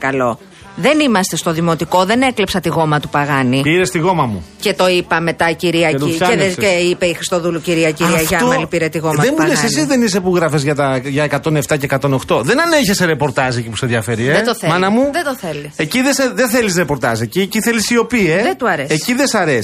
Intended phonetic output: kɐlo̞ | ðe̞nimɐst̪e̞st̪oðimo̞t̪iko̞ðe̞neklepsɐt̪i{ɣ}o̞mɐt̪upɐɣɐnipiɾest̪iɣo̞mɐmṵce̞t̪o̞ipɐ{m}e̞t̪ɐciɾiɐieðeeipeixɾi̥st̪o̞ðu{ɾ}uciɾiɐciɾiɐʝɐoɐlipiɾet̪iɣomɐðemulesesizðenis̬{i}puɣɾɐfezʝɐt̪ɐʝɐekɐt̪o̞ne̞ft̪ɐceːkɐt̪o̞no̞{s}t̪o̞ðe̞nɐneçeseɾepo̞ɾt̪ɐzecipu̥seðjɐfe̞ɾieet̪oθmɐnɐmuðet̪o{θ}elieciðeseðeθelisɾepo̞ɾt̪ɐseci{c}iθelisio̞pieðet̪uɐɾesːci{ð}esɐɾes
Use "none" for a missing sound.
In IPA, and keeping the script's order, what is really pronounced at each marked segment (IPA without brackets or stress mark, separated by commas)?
ɣ, m, l, e, x, θ, c, ð